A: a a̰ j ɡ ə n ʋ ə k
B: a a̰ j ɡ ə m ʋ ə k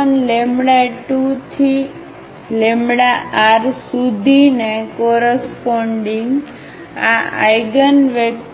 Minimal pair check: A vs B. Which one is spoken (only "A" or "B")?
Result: A